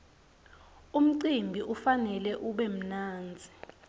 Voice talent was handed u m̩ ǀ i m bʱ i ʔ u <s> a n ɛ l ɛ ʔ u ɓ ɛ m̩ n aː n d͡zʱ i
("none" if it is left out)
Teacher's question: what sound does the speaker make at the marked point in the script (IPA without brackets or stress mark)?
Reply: f